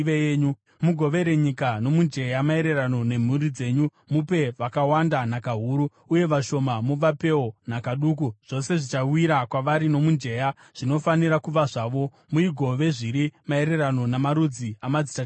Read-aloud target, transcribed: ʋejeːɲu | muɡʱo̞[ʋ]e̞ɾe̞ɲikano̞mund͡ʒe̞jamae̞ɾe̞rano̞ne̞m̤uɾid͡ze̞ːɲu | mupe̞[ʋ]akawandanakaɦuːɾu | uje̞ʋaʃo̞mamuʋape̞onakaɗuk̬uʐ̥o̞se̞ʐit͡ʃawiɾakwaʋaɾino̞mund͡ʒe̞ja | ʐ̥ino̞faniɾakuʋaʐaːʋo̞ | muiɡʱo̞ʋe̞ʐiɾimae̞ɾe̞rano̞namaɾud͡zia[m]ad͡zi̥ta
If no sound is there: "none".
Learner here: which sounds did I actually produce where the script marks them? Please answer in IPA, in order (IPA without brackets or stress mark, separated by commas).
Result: ʋ, ʋ, m